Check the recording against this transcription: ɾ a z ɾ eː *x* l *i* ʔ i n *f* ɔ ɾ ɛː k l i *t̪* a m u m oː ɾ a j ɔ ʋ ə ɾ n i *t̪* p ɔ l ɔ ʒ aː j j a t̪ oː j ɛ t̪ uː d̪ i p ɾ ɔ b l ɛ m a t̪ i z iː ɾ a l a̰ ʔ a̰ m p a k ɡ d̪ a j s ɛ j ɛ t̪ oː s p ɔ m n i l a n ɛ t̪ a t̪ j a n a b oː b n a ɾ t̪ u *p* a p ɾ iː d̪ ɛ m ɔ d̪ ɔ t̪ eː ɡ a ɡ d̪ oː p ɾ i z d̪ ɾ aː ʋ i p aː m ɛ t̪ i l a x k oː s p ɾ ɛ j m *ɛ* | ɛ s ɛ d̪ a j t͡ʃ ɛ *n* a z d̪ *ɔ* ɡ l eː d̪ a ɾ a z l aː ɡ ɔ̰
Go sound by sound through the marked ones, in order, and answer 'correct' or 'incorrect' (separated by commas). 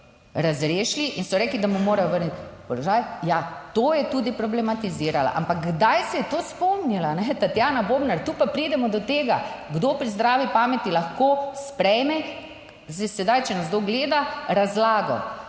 incorrect, correct, incorrect, incorrect, correct, correct, correct, correct, incorrect